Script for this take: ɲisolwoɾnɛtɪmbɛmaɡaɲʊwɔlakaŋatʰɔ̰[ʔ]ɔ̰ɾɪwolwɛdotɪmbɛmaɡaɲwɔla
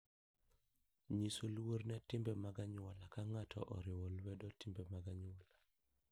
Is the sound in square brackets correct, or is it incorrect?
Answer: correct